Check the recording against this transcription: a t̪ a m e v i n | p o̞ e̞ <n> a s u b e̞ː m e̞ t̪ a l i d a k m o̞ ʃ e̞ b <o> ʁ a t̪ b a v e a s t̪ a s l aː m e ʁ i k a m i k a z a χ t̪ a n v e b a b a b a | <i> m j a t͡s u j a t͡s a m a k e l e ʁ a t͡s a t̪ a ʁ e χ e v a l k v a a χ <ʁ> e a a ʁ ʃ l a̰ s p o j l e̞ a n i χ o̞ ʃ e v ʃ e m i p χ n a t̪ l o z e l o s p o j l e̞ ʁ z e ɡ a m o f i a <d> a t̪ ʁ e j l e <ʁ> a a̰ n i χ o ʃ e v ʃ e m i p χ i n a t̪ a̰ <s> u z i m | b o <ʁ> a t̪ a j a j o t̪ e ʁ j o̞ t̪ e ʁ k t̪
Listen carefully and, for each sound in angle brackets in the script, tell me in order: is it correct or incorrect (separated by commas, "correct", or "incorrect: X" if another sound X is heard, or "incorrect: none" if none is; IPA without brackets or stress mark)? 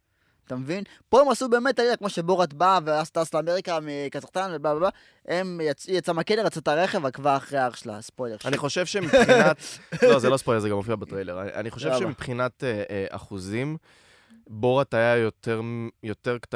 incorrect: m, correct, incorrect: e, correct, incorrect: b, correct, incorrect: χ, correct